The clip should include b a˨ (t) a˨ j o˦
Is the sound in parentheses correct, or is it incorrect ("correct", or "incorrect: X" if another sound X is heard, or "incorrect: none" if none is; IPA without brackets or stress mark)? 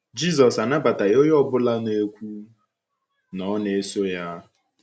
correct